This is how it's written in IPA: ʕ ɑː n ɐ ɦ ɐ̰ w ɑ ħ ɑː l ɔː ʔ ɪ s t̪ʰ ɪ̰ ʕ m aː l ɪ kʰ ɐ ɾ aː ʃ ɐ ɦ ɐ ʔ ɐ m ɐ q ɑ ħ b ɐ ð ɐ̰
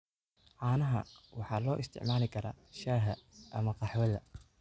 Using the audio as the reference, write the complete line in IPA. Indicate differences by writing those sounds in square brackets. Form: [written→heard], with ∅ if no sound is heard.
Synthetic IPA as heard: ʕ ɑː n ɐ ɦ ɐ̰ w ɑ ħ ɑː l ɔː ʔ ɪ s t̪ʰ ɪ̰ ʕ m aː l ɪ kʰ ɐ ɾ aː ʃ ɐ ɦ ɐ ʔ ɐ m ɐ q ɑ ħ [b→w] ɐ ð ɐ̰

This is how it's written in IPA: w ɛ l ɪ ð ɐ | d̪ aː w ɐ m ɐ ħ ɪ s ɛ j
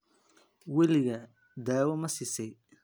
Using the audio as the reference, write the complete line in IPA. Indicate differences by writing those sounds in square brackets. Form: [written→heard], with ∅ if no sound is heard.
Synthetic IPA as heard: w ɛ l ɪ [ð→ɣ] ɐ | d̪ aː w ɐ m ɐ [ħ→s] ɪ s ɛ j

